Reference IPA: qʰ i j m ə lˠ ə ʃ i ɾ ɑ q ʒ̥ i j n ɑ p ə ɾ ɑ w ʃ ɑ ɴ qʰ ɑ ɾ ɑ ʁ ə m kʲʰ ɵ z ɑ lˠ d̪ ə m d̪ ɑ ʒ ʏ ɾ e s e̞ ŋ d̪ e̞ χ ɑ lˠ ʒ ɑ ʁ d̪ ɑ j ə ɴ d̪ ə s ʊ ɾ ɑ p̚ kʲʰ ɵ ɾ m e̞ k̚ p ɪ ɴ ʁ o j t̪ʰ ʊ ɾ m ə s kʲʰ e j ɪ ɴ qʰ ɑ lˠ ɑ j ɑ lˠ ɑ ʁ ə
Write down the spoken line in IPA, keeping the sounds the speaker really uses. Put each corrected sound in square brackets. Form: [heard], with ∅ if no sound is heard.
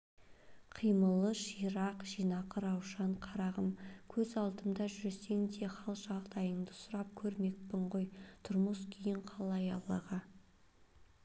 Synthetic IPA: qʰ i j m ə lˠ ə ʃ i ɾ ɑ q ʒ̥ i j n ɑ [q] ə ɾ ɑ w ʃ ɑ ɴ qʰ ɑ ɾ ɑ ʁ ə m kʲʰ ɵ z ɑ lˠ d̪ ə m d̪ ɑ ʒ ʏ ɾ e s e̞ ŋ d̪ e̞ χ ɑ lˠ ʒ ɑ ʁ d̪ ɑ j ə ɴ d̪ ə s ʊ ɾ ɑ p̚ kʲʰ ɵ ɾ m e̞ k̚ p ɪ ɴ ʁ o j t̪ʰ ʊ ɾ m ə s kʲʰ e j ɪ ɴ qʰ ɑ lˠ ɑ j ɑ lˠ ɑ ʁ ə